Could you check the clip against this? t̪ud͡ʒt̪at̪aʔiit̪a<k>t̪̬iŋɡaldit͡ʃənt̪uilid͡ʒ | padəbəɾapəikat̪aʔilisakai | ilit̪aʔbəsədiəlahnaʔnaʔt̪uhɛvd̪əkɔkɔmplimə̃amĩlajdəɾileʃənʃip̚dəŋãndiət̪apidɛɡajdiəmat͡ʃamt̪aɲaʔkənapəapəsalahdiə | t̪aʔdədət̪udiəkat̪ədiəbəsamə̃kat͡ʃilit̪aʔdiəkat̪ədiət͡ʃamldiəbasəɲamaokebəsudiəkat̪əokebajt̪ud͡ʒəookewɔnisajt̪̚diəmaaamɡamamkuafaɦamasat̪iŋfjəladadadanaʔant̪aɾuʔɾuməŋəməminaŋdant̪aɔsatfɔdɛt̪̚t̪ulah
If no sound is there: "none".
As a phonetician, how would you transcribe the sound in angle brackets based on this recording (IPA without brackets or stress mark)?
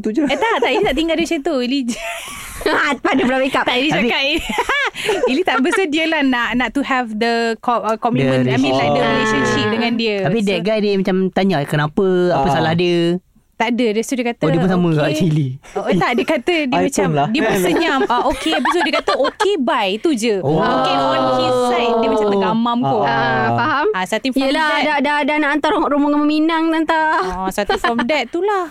ʔ